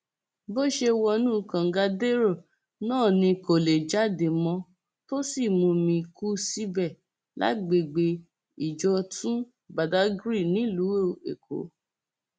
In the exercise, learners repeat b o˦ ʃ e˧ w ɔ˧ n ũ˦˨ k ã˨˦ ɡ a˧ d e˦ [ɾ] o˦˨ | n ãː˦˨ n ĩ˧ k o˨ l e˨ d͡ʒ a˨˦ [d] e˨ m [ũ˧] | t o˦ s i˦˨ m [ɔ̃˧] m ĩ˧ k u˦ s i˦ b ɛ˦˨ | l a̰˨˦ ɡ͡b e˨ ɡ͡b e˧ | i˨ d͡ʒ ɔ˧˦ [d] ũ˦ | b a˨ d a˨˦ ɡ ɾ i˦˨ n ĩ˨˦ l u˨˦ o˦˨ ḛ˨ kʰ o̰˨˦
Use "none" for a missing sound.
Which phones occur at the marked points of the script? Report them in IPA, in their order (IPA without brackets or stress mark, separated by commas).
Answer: ɾ, d, ɔ̃˧, ũ˧, t